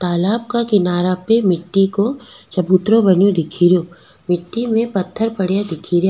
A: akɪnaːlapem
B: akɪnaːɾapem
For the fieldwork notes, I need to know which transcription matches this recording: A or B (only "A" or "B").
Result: B